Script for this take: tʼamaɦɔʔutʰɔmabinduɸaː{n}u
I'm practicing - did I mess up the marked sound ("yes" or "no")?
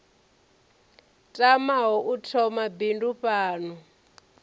no